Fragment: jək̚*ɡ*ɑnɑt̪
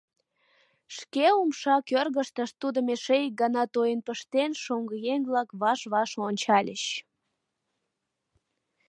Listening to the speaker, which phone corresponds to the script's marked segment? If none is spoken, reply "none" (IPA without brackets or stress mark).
ɡ